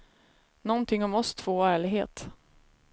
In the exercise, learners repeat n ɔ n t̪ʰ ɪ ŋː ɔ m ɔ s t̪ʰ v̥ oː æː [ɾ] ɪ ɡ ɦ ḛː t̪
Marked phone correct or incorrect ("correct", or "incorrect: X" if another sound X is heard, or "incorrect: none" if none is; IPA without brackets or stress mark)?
incorrect: ɭ